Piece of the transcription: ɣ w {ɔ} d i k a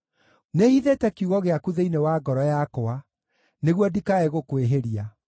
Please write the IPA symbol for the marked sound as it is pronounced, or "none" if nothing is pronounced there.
ɔ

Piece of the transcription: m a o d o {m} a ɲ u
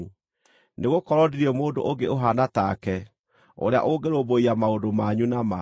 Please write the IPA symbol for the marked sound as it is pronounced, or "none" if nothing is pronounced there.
m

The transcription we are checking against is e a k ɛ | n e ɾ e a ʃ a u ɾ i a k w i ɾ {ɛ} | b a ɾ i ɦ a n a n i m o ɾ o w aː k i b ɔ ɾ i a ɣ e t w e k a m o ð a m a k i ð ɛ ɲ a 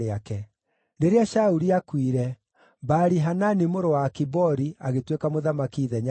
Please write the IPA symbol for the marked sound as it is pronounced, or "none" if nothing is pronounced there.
ɛ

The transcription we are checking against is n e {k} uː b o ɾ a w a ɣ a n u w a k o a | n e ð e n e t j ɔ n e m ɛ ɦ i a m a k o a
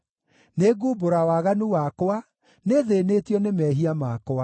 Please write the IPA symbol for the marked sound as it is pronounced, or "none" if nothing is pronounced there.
ɡ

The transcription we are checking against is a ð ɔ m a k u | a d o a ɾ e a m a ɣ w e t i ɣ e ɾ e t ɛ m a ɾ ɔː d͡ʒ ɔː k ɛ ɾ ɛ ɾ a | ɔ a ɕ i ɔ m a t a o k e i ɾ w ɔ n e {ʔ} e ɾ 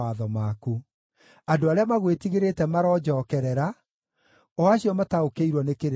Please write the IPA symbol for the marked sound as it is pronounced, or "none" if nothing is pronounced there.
k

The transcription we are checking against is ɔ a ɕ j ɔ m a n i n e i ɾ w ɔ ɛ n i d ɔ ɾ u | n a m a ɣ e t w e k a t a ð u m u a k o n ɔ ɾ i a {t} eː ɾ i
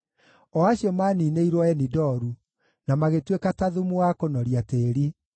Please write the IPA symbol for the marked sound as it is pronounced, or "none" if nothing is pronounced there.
t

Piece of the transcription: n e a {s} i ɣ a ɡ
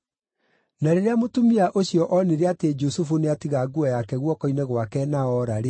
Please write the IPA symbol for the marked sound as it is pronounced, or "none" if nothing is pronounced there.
t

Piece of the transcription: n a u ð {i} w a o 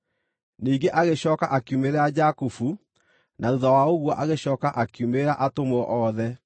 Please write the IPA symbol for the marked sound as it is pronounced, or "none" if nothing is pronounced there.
a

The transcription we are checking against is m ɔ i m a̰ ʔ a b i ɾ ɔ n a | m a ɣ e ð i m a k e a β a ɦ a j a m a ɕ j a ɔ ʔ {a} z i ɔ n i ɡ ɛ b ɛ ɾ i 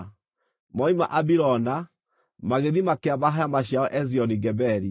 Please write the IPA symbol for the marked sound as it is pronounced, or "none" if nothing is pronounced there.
ɛ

